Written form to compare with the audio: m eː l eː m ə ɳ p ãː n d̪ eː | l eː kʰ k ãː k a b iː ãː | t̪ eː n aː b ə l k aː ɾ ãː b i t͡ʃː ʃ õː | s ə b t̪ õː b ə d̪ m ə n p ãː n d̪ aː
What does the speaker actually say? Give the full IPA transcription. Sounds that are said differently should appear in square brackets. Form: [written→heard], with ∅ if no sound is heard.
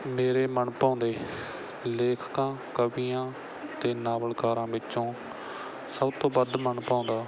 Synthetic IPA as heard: m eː [l→ɾ] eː m ə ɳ p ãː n d̪ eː | l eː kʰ k ãː k [a→ə] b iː ãː | t̪ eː n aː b ə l k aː ɾ ãː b [i→ɪ] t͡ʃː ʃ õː | s ə b t̪ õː b ə d̪ m ə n p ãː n d̪ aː